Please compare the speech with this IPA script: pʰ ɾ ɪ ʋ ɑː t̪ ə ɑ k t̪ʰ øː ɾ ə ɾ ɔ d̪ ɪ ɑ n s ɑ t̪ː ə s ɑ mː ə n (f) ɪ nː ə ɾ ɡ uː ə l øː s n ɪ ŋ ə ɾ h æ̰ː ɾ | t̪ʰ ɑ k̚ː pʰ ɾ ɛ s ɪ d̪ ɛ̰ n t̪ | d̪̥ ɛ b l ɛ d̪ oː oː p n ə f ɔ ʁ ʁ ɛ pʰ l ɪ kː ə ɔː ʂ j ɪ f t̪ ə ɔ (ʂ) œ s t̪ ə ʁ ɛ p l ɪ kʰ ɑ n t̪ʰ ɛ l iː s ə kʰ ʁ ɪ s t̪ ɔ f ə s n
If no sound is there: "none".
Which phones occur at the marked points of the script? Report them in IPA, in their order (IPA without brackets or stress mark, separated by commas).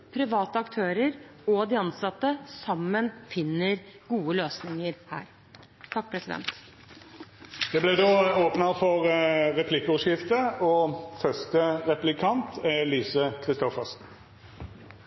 f, f